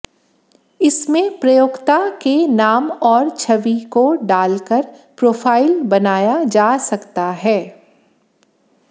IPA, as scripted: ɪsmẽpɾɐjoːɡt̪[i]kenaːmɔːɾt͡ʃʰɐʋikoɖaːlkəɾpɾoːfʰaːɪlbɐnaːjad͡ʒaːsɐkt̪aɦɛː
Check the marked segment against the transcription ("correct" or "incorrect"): incorrect